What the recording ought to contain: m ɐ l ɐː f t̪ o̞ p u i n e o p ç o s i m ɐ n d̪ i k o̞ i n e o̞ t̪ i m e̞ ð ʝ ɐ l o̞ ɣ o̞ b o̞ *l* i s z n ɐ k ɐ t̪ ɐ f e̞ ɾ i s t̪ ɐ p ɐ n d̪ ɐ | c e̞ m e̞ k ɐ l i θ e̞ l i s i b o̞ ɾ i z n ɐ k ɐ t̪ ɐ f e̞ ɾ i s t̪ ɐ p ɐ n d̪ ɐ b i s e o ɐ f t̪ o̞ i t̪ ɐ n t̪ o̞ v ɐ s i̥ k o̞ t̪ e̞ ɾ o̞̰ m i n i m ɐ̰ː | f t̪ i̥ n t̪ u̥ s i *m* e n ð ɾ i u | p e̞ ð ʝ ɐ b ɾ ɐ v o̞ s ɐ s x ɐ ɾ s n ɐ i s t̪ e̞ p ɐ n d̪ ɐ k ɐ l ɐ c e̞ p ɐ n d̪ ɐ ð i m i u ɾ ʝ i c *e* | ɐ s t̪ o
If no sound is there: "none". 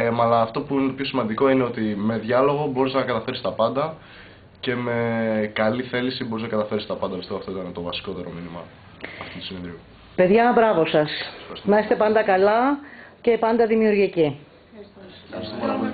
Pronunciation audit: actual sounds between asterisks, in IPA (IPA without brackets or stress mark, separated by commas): ɾ, n, i